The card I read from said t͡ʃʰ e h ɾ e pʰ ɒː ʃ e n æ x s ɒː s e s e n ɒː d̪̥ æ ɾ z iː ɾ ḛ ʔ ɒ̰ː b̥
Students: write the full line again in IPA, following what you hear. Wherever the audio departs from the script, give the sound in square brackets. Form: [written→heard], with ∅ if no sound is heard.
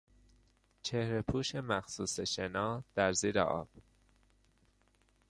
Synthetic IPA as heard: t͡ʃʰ e h ɾ e pʰ [ɒː→uː] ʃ e [n→m] æ x s [ɒː→uː] s e [s→ʃ] e n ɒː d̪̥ æ ɾ z iː ɾ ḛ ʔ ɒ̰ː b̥